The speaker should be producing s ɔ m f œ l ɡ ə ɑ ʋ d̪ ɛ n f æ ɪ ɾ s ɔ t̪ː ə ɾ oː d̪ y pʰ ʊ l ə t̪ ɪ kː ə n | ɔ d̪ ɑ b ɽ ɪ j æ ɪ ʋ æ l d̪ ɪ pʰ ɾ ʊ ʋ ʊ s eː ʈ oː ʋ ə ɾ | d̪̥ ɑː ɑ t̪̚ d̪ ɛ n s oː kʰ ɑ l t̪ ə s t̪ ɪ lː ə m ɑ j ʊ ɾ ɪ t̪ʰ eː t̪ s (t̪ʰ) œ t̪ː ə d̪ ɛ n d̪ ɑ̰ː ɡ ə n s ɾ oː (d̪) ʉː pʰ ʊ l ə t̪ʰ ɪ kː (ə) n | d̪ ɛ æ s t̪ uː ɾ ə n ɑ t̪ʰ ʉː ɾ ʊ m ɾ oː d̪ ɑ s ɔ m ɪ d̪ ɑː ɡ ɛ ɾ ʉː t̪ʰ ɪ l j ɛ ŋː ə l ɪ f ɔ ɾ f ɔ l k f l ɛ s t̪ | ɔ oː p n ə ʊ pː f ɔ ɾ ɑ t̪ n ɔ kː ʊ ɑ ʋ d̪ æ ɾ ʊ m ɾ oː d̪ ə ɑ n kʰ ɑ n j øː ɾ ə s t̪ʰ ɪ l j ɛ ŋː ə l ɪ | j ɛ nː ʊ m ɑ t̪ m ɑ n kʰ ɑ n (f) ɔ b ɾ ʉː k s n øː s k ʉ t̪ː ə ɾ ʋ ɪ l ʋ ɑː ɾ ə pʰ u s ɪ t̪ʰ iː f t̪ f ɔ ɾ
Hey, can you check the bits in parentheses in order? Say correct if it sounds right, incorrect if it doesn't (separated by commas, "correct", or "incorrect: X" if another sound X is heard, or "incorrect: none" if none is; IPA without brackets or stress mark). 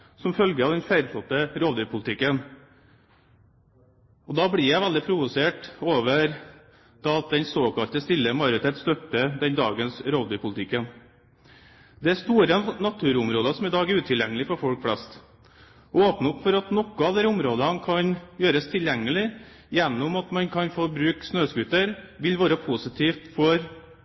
incorrect: t̪, correct, correct, correct